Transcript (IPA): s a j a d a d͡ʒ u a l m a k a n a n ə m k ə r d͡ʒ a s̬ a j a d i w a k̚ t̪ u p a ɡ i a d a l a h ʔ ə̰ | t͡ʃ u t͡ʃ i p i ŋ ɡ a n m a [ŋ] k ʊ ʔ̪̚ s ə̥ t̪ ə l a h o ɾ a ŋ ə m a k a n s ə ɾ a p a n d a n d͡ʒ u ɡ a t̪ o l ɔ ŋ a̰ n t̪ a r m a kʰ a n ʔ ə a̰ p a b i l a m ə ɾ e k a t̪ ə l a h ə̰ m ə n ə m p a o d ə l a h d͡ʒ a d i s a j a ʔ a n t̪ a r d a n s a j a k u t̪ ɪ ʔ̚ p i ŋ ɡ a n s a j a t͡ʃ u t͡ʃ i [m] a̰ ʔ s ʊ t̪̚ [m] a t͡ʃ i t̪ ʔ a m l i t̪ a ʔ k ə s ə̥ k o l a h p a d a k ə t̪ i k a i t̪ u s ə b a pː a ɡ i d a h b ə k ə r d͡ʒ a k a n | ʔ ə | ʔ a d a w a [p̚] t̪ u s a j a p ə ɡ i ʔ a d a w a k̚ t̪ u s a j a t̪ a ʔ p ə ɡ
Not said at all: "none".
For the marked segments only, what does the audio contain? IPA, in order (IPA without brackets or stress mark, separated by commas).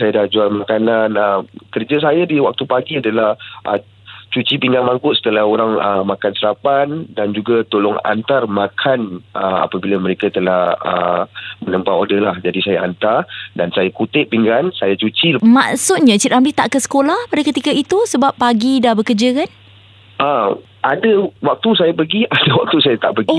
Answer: ŋ, m, ɲ, k̚